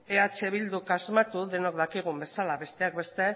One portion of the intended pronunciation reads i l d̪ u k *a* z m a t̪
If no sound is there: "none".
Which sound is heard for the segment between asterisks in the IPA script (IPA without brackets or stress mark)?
a